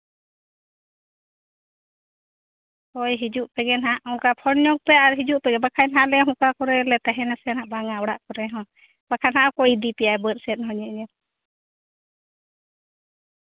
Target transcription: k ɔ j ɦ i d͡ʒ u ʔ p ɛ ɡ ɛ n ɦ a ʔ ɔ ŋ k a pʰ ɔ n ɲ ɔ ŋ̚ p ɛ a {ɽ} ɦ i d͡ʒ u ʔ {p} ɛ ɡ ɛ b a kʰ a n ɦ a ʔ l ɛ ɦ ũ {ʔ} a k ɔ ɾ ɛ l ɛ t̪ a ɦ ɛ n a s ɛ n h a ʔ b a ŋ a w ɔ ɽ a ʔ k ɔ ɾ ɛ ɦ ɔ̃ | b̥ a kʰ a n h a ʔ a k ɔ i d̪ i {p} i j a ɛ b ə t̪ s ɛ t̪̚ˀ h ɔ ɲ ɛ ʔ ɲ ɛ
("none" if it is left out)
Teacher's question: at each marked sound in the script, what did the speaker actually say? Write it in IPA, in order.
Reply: ɾ, p, k, p

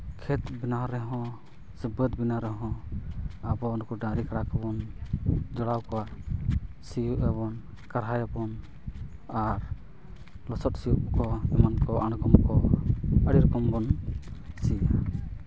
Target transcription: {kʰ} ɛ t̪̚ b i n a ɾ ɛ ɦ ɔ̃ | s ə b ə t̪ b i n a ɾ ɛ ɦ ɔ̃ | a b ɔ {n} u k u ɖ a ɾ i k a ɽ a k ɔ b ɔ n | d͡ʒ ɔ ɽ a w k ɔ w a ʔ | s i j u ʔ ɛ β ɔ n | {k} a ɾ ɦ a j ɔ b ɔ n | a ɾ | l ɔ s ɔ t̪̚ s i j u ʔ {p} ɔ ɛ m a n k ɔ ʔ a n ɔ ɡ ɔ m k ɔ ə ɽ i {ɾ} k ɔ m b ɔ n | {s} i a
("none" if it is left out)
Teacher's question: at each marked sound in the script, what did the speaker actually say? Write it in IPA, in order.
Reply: kʰ, n, k, k, ɾ, s

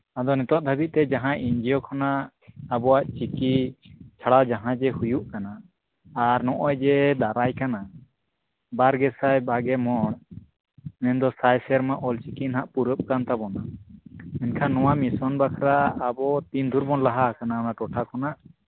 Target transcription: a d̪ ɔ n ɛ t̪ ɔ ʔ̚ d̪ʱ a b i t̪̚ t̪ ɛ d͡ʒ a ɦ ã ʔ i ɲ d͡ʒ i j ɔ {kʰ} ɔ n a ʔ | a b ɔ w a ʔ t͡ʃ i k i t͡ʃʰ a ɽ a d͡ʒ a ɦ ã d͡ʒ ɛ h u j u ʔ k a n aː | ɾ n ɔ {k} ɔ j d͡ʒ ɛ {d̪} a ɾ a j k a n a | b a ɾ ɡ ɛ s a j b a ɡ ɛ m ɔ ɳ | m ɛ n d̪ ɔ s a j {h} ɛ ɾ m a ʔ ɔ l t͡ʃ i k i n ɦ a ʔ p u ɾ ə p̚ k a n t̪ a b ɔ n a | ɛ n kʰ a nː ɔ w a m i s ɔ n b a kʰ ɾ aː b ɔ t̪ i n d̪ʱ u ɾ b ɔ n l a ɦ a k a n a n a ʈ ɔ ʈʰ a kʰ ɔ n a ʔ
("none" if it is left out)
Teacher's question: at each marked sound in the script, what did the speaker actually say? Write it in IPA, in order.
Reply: kʰ, ʔ, d̪, s

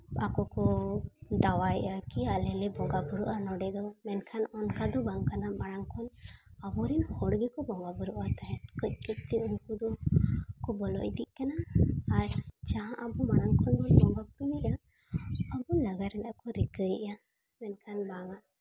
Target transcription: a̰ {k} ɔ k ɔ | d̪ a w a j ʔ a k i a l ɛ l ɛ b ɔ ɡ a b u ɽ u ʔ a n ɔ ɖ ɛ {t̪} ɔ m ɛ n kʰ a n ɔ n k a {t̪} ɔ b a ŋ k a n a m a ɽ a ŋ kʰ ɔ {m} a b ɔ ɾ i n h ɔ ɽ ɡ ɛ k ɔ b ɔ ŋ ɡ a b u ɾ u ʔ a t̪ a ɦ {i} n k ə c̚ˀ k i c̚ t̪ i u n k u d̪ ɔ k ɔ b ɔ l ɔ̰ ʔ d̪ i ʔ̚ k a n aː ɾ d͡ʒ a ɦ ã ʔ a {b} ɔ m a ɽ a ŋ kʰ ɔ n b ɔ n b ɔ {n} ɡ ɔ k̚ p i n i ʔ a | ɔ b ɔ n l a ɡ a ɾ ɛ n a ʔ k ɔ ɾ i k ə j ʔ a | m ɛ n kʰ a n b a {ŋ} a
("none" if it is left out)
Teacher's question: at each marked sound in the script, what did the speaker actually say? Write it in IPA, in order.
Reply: k, d̪, d̪, n, ɛ, b, ŋ, ŋ

